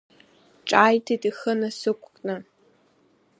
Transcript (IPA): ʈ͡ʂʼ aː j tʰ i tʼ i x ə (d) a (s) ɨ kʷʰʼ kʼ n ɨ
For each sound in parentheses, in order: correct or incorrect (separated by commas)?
incorrect, correct